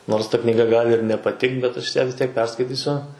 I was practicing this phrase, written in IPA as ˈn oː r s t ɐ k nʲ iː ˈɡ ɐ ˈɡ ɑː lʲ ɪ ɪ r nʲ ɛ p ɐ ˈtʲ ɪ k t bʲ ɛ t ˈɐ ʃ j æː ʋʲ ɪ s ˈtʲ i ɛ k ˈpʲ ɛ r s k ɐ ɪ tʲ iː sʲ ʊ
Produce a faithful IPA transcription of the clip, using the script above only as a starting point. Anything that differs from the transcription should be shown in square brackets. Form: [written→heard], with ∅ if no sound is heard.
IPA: ˈn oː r s t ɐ k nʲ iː ˈɡ ɐ ˈɡ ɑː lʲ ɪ ɪ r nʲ ɛ p ɐ ˈtʲ ɪ k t bʲ ɛ t ˈɐ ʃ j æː ʋʲ ɪ s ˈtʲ i ɛ k ˈpʲ ɛ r s k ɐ ɪ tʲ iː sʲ ʊ